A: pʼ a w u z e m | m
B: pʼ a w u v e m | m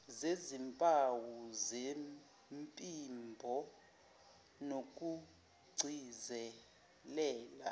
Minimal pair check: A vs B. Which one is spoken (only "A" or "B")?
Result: A